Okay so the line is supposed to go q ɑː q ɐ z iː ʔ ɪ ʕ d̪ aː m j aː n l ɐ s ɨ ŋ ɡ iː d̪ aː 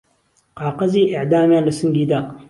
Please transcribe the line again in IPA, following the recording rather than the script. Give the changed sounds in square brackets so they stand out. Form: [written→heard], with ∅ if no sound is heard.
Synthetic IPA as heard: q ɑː q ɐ z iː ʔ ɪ ʕ d̪ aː m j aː n l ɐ s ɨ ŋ ɡ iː d̪ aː